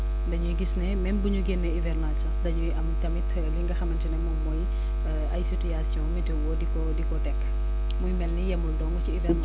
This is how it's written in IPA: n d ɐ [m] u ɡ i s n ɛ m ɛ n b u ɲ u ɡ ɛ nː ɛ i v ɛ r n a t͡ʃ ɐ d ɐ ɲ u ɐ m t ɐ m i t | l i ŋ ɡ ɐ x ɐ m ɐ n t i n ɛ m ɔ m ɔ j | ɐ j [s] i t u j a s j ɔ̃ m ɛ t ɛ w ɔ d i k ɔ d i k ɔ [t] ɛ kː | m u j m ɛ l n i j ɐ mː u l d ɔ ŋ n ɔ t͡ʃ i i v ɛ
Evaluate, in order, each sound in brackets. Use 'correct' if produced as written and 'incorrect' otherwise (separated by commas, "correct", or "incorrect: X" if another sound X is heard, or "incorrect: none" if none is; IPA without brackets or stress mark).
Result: incorrect: ɲ, correct, correct